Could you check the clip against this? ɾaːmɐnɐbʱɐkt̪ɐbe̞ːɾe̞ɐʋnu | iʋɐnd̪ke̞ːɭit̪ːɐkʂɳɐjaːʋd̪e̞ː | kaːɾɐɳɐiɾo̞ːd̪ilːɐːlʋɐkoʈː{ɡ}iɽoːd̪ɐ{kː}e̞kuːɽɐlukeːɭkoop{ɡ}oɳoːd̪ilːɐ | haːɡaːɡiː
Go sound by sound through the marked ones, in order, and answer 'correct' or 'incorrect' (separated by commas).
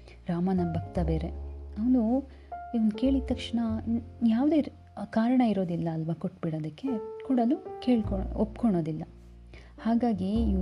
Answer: incorrect, correct, incorrect